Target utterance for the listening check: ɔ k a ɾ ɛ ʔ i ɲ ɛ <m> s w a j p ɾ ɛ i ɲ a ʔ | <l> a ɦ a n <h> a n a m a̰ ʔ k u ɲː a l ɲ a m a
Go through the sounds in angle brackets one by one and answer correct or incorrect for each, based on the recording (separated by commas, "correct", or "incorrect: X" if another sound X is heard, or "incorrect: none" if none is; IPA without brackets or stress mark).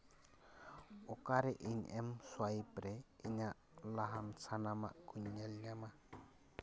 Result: correct, correct, incorrect: s